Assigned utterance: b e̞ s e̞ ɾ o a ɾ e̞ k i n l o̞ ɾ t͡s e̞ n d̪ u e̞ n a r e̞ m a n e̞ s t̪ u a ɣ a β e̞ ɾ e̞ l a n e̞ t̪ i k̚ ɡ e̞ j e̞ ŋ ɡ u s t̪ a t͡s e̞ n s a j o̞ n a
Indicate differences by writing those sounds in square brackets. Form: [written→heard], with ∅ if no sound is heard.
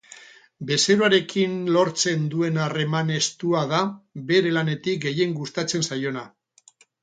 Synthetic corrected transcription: b e̞ s e̞ ɾ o a ɾ e̞ k i n l o̞ ɾ t͡s e̞ n d̪ u e̞ n a r e̞ m a n e̞ s t̪ u a [ɣ→ð] a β e̞ ɾ e̞ l a n e̞ t̪ i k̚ ɡ e̞ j e̞ ŋ ɡ u s t̪ a t͡s e̞ n s a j o̞ n a

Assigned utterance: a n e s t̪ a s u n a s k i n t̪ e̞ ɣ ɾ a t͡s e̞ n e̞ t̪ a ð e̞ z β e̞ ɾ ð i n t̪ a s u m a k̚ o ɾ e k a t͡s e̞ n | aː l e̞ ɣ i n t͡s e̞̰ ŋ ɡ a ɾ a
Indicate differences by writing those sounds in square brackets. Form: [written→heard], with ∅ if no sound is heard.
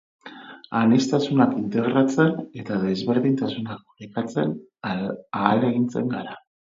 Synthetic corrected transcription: a n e s t̪ a s u n a [s→∅] k i n t̪ e̞ ɣ ɾ a t͡s e̞ n e̞ t̪ a ð e̞ z β e̞ ɾ ð i n t̪ a s u [m→n] a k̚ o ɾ e k a t͡s e̞ n | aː l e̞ ɣ i n t͡s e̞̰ ŋ ɡ a ɾ a

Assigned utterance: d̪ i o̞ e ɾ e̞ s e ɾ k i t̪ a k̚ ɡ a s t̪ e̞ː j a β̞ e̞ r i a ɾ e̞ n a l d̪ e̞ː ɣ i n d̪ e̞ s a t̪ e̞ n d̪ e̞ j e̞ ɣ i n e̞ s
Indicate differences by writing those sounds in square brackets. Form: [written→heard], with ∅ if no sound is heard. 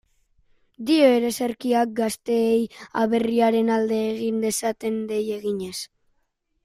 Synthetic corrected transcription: d̪ i o̞ e ɾ e̞ s e ɾ k i [t̪→∅] a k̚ ɡ a s t̪ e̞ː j a β̞ e̞ r i a ɾ e̞ n a l d̪ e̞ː ɣ i n d̪ e̞ s a t̪ e̞ n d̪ e̞ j e̞ ɣ i [n→ɲ] e̞ s

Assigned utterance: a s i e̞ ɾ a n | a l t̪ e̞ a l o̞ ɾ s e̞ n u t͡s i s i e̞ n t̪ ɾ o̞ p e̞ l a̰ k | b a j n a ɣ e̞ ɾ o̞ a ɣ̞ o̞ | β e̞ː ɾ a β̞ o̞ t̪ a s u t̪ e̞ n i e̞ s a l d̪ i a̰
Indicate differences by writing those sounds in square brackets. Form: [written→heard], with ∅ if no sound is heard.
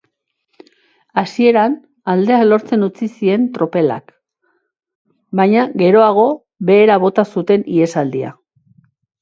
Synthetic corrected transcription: a s i e̞ ɾ a n | a l [t̪→d̪] e̞ a l o̞ ɾ [s→t͡s] e̞ n u t͡s i s i e̞ n t̪ ɾ o̞ p e̞ l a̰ k | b a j [n→ɲ] a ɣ e̞ ɾ o̞ a ɣ̞ o̞ | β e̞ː ɾ a β̞ o̞ t̪ a s u t̪ e̞ n i e̞ s a l d̪ i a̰

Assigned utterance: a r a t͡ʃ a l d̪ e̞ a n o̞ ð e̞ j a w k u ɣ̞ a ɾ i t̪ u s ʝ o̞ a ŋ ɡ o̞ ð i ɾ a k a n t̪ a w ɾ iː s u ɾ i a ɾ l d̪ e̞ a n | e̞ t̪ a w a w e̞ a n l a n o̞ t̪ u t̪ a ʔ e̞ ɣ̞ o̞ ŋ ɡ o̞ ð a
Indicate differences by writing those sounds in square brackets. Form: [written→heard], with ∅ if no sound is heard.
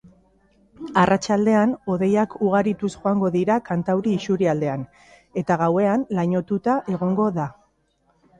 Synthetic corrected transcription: a r a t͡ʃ a l d̪ e̞ a n o̞ ð e̞ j a [w→∅] k u ɣ̞ a ɾ i t̪ u s ʝ o̞ a ŋ ɡ o̞ ð i ɾ a k a n t̪ a w ɾ iː s u ɾ i a [ɾ→∅] l d̪ e̞ a n | e̞ t̪ a [w→ɣ] a w e̞ a n l a [n→ɲ] o̞ t̪ u t̪ a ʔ e̞ ɣ̞ o̞ ŋ ɡ o̞ ð a

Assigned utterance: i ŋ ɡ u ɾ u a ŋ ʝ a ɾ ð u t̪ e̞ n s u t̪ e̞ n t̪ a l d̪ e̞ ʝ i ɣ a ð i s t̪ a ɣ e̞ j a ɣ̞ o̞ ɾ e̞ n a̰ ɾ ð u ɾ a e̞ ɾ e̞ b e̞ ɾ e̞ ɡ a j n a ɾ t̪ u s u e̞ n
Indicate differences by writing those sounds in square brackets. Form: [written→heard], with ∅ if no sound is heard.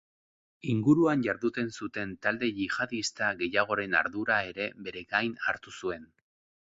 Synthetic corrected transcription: i ŋ ɡ u ɾ u a [ŋ→n] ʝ a ɾ ð u t̪ e̞ n s u t̪ e̞ n t̪ a l d̪ e̞ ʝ i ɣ a ð i s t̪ a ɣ e̞ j a ɣ̞ o̞ ɾ e̞ n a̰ ɾ ð u ɾ a e̞ ɾ e̞ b e̞ ɾ e̞ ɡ a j n a ɾ t̪ u s u e̞ n

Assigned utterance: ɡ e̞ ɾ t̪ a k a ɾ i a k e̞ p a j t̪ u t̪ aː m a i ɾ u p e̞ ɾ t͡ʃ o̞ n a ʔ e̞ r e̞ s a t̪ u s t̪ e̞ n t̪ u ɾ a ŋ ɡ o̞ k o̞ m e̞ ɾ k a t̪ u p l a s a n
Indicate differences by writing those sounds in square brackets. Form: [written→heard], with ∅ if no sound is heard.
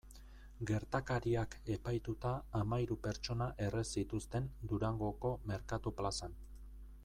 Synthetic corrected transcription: ɡ e̞ ɾ t̪ a k a ɾ i a k e̞ p a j t̪ u t̪ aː m a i ɾ u p e̞ ɾ t͡ʃ o̞ n a ʔ e̞ r e̞ s [a→i] t̪ u s t̪ e̞ n [t̪→d̪] u ɾ a ŋ ɡ o̞ k o̞ m e̞ ɾ k a t̪ u p l a s a n

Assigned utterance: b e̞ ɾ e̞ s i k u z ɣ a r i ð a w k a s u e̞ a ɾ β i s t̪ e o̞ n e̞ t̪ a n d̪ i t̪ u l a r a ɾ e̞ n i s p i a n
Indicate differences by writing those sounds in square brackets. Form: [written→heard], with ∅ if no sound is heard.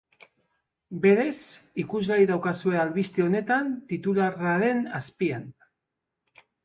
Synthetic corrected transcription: b e̞ ɾ e̞ s i k u z ɣ a [r→ɾ] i ð a w k a s u e̞ a [ɾ→l] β i s t̪ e o̞ n e̞ t̪ a n [d̪→t̪] i t̪ u l a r a ɾ e̞ n [i→a] s p i a n

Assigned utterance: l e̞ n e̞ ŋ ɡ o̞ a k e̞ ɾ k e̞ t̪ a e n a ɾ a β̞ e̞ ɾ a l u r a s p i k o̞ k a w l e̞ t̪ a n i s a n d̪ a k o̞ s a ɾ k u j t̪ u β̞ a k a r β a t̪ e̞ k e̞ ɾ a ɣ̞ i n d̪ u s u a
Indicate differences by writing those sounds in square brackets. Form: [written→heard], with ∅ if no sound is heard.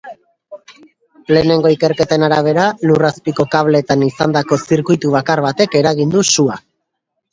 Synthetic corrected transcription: l e̞ n e̞ ŋ ɡ o̞ [a→i] k e̞ ɾ k e̞ t̪ a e n a ɾ a β̞ e̞ ɾ a l u r a s p i k o̞ k a [w→β] l e̞ t̪ a n i s a n d̪ a k o̞ s [a→i] ɾ k u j t̪ u β̞ a k a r β a t̪ e̞ k e̞ ɾ a ɣ̞ i n d̪ u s u a

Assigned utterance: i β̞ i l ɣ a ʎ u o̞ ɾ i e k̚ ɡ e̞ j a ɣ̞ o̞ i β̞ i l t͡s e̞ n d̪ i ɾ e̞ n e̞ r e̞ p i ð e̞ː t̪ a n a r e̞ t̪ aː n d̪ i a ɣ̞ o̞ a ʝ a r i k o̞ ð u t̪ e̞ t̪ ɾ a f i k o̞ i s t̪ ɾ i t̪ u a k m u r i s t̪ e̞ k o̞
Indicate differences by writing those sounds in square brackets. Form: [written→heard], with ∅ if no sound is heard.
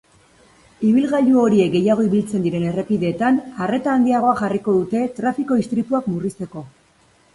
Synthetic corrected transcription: i β̞ i l ɣ a ʎ u o̞ ɾ i e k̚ ɡ e̞ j a ɣ̞ o̞ i β̞ i l t͡s e̞ n d̪ i ɾ e̞ n e̞ r e̞ p i ð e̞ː t̪ a n a r e̞ t̪ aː n d̪ i a ɣ̞ o̞ a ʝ a r i k o̞ ð u t̪ e̞ t̪ ɾ a f i k o̞ i s t̪ ɾ i t̪ u a k m u r i s t̪ e̞ k o̞

